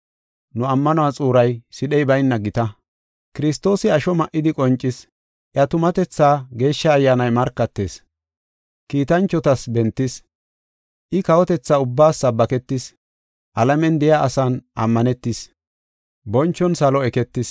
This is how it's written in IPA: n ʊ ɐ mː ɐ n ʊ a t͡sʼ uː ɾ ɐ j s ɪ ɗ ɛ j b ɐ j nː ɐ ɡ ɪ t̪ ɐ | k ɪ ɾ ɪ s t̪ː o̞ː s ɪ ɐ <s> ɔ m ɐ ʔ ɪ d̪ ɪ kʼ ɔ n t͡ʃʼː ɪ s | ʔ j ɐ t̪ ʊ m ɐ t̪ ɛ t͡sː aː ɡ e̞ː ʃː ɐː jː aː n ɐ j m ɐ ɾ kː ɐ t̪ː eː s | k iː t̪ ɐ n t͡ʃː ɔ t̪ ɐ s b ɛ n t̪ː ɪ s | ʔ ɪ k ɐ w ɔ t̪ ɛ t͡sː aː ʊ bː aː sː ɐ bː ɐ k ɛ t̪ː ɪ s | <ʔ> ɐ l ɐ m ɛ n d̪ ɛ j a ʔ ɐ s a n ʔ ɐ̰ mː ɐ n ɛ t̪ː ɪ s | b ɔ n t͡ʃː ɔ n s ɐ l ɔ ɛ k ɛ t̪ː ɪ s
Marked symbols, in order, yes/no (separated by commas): no, yes